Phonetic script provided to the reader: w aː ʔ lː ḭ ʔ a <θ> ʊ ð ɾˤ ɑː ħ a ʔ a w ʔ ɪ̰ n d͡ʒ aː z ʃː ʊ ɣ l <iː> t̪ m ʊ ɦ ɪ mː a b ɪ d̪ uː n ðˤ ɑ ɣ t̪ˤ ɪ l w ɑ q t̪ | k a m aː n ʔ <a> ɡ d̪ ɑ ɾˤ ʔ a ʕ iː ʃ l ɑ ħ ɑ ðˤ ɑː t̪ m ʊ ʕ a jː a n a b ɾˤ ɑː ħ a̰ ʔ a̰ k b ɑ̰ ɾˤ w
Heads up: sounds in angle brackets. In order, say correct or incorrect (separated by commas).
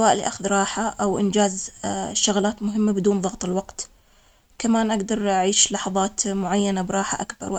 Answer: incorrect, incorrect, correct